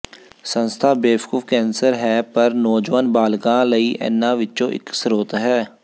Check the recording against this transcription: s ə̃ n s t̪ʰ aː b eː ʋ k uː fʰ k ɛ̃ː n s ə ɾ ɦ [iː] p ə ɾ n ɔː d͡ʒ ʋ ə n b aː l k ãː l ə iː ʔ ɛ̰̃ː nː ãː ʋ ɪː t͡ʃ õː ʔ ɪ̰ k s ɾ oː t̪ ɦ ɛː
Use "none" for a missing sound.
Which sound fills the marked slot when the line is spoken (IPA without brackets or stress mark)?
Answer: ɛː